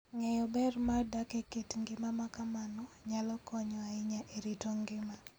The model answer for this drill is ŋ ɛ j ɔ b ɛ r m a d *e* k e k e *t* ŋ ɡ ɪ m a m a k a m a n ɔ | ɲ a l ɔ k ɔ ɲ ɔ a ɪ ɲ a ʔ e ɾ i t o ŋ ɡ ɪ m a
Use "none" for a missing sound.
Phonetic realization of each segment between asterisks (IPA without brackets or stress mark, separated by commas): a, t